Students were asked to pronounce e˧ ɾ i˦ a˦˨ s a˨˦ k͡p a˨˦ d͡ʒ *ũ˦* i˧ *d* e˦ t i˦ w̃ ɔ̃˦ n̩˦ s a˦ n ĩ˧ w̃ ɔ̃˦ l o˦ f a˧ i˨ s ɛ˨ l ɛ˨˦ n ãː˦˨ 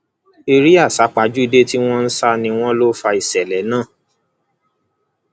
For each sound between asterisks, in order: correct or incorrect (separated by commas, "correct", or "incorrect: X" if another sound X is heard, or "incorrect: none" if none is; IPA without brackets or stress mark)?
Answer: incorrect: u˦, correct